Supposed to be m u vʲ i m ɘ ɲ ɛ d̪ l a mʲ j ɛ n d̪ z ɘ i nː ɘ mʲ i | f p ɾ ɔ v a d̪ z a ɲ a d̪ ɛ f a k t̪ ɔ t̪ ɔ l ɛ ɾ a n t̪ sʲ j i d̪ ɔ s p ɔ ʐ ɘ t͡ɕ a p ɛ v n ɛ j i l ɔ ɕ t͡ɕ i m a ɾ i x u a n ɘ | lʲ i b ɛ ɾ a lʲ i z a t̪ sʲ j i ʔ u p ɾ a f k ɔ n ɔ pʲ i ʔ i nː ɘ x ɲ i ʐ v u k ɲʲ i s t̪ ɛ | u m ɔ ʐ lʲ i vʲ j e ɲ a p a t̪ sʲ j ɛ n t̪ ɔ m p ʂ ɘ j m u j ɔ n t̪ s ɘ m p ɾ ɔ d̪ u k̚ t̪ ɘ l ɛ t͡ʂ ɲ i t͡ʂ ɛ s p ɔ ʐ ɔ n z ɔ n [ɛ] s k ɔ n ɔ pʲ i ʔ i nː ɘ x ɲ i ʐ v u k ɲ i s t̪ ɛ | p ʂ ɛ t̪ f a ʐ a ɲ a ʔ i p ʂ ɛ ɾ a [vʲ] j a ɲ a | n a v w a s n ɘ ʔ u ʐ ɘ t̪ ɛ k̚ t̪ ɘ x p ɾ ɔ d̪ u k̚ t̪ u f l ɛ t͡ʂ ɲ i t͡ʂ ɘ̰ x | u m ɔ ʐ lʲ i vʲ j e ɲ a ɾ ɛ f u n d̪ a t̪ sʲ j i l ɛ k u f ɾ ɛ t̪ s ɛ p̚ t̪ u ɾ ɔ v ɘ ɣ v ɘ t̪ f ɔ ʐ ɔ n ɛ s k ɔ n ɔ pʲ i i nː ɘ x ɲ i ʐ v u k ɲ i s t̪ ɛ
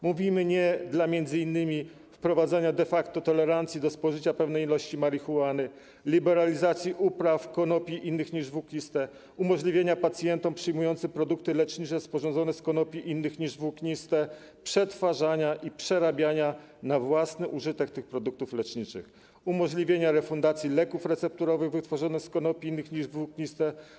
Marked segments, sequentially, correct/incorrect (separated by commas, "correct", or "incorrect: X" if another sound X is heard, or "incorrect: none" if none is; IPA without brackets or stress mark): correct, incorrect: bʲ